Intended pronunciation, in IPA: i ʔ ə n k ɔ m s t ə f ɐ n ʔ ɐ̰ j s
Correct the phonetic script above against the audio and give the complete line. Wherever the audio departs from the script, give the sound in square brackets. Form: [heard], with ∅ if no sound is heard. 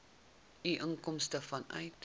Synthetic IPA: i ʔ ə [ŋ] k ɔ m s t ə f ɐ n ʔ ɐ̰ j [t]

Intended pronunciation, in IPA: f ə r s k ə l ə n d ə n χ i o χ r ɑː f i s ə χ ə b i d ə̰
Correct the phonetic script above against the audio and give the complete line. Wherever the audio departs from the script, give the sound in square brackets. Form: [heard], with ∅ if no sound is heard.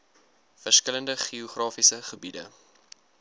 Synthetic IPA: f ə r s k ə l ə n d ə [∅] χ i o χ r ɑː f i s ə χ ə b i d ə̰

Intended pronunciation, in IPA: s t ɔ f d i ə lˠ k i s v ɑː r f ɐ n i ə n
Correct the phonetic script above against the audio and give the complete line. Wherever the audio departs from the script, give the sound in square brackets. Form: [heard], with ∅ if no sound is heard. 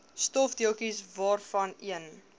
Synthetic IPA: s t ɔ f d i ə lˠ k i s v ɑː r f ɐ n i ə n

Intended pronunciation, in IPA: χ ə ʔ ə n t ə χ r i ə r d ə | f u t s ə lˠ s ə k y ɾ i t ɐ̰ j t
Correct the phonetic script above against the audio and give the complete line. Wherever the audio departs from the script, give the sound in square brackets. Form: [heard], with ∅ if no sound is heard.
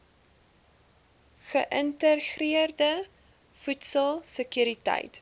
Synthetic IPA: χ ə ʔ ə n t ə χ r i ə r d ə | f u t s ə lˠ s ə k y ɾ i t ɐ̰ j t

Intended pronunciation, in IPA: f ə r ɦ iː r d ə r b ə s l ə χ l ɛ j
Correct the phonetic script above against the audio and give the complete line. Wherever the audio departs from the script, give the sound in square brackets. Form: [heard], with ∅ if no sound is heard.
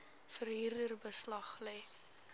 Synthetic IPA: f ə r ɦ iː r d ə r b ə s l [ɐ] χ l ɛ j

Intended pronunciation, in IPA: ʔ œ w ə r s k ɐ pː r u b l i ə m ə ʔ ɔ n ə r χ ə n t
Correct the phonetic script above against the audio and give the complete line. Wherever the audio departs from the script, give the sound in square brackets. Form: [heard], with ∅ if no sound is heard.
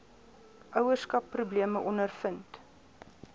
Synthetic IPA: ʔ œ w ə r s k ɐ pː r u b l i ə m ə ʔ ɔ n ə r [f] ə n t

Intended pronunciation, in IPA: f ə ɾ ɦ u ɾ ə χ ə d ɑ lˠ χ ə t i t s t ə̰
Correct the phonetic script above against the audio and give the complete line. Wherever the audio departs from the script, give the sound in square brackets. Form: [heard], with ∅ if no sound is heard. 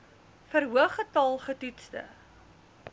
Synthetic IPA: f ə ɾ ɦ u [∅] ə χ ə [t] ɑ lˠ χ ə t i t s t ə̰

